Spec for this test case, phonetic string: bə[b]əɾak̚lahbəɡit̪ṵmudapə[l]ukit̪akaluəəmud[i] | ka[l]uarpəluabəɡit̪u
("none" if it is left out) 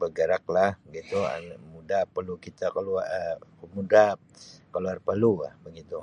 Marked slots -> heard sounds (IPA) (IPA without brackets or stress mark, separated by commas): ɡ, l, a, l